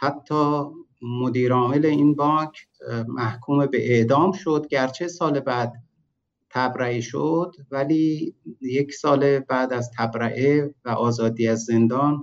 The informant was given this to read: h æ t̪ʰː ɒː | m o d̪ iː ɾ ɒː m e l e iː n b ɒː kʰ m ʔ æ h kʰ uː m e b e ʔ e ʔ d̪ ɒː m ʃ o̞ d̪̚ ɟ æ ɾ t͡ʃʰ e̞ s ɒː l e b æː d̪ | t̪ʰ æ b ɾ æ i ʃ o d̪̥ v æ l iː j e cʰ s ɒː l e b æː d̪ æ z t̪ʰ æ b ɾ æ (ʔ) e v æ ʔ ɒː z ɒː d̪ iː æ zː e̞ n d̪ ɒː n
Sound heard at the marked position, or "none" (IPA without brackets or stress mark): ʔ